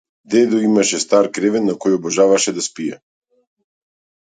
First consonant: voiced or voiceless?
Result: voiced